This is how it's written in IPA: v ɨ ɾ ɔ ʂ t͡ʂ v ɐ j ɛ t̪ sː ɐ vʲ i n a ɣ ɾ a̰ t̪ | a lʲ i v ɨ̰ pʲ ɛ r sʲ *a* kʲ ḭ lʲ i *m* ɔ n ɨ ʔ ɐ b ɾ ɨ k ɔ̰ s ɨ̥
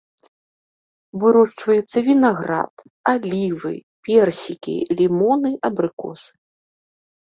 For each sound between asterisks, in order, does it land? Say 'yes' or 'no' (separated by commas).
no, yes